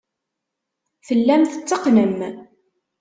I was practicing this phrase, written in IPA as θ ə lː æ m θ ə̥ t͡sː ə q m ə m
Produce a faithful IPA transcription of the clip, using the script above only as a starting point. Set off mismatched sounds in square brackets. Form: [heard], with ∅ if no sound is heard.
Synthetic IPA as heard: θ ə lː æ m θ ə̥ t͡sː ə q [n] ə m

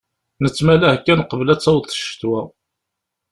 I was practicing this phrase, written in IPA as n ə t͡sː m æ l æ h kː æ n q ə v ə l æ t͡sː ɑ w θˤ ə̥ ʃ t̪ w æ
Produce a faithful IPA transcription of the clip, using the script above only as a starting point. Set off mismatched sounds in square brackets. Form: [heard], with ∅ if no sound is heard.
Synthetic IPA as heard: n ə t͡sː m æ l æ h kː æ n q ə v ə l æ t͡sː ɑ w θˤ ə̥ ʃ t̪ w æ

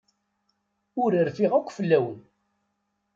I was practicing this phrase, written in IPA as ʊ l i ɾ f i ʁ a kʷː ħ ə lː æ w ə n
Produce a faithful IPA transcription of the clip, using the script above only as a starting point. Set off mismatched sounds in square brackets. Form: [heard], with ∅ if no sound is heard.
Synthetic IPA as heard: ʊ [ɾ] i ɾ f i ʁ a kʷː [f] ə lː æ w ə n

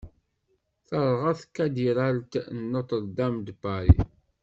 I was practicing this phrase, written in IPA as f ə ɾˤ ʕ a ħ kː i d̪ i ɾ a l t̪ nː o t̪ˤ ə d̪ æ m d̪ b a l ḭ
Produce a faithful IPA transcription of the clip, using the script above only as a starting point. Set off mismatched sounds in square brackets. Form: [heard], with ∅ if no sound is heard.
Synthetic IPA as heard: [θ] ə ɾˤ [ʁ] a [θ] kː [æ] d̪ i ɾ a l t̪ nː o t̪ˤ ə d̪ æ m d̪ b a [ɾ] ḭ

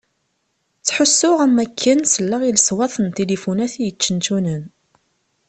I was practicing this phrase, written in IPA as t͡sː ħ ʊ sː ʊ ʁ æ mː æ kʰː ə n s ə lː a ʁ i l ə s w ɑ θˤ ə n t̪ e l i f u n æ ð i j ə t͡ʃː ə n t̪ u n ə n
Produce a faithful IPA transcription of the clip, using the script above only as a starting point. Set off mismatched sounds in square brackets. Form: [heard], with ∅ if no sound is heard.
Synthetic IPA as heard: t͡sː ħ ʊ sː ʊ ʁ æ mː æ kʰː ə n s ə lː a ʁ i l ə s w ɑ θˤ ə n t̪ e l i f u n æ [θ] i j ə t͡ʃː ə n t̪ u n ə n

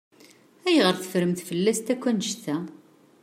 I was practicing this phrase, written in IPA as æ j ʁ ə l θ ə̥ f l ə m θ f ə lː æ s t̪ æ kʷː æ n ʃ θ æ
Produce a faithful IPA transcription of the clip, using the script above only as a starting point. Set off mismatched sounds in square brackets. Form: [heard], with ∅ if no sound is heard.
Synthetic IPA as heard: æ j ʁ ə [ɾ] θ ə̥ f [ɾ] ə m θ f ə lː æ s t̪ æ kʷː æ n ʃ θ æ

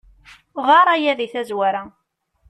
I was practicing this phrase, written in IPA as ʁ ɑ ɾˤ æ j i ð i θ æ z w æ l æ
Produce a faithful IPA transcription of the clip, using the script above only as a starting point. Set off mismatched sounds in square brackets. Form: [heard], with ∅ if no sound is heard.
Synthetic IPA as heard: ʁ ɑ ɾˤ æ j [æ] ð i θ æ z w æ [ɾ] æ

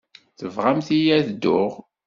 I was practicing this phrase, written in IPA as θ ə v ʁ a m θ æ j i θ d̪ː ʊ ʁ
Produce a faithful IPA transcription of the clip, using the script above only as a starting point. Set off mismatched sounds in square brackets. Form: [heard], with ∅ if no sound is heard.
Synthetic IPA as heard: θ ə v ʁ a m θ [i] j [æ] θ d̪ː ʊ ʁ

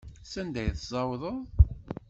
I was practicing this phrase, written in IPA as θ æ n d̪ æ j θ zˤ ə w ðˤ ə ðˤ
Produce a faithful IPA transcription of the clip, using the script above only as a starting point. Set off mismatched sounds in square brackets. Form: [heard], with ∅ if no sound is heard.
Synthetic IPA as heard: [s] æ n d̪ æ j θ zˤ [ɑ] w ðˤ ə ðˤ

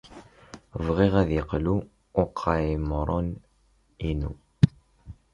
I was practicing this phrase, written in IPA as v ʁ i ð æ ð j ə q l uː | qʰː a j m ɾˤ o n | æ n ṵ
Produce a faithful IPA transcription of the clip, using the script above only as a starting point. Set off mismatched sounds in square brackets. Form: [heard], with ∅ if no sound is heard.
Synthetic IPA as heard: v ʁ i [ʁ] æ ð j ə q l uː | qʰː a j m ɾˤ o n | [i] n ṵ

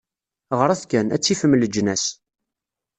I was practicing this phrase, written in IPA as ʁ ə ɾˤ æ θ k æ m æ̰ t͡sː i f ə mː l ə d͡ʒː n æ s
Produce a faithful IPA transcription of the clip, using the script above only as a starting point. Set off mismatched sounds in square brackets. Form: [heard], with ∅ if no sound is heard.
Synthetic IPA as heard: ʁ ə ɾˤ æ θ k æ [n] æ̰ t͡sː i f ə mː l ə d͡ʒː n æ s

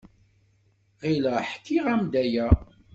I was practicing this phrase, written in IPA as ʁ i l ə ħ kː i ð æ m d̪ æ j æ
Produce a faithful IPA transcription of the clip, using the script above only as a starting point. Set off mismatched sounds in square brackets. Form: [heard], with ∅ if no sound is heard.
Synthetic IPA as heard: ʁ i l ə ħ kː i [ʁ] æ m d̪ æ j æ

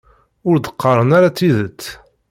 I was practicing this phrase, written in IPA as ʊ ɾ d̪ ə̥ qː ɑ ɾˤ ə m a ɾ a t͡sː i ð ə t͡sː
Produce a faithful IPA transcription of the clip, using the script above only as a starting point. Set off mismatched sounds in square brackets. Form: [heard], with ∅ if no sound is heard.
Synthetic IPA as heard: ʊ ɾ d̪ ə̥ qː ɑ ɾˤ ə [n] a ɾ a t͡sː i ð ə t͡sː

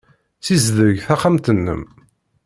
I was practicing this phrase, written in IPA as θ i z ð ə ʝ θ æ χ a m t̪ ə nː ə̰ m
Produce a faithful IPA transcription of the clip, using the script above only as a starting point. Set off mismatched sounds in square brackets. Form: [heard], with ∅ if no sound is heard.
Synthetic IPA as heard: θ i z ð ə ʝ θ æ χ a m t̪ ə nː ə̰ m

